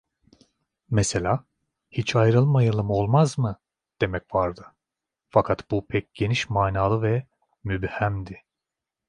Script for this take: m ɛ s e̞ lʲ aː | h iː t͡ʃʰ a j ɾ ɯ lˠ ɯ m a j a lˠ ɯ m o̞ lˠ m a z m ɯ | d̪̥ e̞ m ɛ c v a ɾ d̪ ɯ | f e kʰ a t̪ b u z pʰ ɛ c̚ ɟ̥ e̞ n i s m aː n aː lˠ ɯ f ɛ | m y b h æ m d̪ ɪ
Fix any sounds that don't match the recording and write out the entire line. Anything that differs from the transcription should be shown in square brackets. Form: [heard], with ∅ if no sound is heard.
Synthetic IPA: m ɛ s e̞ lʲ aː | h [i] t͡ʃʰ a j ɾ ɯ lˠ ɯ m a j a lˠ ɯ m o̞ lˠ m a z m ɯ | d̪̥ e̞ m ɛ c v a ɾ d̪ ɯ | f [a] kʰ a t̪ b u [∅] pʰ ɛ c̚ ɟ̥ e̞ n i [ʃ] m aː n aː lˠ ɯ [v] ɛ | m y b h æ m d̪ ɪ